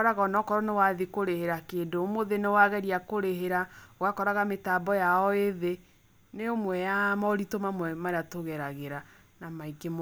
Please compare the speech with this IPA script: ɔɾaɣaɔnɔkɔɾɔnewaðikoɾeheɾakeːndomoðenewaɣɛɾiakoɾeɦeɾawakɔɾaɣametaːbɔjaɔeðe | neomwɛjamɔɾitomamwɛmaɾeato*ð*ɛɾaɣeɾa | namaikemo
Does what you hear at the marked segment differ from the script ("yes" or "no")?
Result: yes